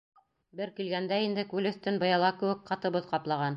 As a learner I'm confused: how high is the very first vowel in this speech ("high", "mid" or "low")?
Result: mid